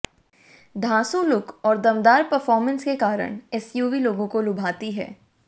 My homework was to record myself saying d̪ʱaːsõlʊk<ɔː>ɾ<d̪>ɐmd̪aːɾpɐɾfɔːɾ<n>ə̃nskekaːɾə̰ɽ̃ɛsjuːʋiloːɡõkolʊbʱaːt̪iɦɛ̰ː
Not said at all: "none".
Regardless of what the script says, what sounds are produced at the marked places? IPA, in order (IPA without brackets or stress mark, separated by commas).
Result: ɔː, d̪, m